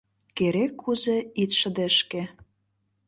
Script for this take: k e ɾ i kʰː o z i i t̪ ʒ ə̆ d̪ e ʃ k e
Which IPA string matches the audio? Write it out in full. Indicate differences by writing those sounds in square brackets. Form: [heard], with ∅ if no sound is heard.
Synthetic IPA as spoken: k e ɾ [e] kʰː [u] z [e] i t̪ [ʃ] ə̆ d̪ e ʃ k e